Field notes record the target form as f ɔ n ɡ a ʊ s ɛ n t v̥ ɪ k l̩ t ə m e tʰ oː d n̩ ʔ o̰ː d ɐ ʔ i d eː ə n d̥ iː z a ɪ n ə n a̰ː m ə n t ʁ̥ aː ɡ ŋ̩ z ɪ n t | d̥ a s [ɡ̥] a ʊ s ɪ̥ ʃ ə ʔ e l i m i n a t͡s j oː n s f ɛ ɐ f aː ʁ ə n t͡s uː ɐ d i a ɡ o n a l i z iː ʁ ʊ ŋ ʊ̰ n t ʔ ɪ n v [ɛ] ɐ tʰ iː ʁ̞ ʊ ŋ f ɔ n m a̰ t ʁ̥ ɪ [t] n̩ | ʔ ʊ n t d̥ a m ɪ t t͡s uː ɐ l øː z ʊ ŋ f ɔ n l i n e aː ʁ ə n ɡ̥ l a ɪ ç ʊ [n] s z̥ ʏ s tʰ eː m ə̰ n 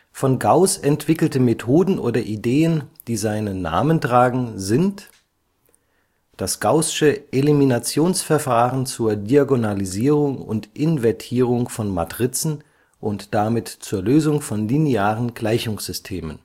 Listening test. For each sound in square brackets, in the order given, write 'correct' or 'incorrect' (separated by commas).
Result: correct, correct, incorrect, incorrect